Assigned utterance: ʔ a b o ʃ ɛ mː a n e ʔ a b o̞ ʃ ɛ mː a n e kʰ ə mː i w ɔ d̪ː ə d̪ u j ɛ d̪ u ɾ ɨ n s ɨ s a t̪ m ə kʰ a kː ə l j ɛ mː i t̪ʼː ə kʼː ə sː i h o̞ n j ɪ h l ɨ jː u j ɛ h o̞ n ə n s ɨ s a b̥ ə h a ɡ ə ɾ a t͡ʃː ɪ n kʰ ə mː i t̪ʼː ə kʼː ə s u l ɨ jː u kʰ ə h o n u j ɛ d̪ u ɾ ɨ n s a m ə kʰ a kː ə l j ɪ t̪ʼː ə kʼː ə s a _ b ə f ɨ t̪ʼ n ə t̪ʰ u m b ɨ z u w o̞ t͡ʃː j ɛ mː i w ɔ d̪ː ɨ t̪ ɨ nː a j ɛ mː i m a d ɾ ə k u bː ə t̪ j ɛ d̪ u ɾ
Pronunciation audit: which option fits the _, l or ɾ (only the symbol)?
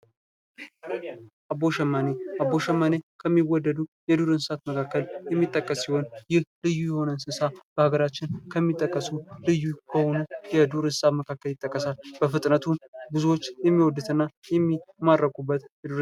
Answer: l